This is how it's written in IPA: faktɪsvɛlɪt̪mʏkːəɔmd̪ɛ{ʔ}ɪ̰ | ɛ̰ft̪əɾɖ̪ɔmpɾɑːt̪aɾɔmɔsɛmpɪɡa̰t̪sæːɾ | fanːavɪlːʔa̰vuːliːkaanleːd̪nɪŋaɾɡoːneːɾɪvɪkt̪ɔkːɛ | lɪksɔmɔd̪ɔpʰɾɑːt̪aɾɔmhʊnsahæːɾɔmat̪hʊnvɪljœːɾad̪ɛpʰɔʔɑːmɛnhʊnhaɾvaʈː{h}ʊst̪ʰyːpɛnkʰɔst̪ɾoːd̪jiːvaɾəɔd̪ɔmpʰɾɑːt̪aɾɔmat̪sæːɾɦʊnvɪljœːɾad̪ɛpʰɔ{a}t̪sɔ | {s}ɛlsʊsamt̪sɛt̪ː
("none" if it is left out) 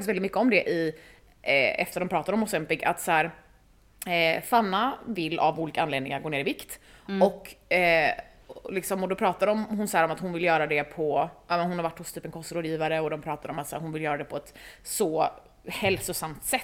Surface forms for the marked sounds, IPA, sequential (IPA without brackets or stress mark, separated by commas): ʔ, h, ɛ, h